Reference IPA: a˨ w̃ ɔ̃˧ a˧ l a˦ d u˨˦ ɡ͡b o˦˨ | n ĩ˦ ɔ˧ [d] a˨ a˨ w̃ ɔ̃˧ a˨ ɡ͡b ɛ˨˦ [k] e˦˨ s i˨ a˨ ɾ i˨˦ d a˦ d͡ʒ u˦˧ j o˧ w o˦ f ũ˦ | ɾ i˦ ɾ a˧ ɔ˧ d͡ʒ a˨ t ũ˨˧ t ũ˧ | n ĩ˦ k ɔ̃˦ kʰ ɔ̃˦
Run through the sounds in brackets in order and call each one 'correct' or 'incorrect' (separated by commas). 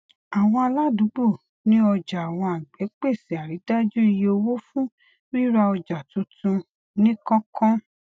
incorrect, incorrect